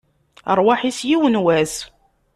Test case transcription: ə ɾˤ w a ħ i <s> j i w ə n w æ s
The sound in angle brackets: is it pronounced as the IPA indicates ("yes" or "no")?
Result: yes